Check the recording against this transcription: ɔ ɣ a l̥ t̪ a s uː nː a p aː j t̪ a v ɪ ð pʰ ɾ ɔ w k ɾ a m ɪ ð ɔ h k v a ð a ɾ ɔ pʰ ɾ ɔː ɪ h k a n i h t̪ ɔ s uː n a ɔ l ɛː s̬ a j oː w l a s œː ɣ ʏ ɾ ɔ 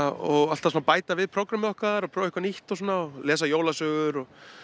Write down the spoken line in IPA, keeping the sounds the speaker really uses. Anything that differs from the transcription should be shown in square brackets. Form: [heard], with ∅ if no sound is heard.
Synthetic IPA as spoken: ɔ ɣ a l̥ t̪ a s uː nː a p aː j t̪ a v ɪ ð pʰ ɾ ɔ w k ɾ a m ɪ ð ɔ h k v a ð a ɾ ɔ pʰ ɾ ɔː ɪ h k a n i h t̪ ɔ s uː n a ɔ l ɛː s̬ a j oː w l a s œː ɣ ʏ ɾ ɔ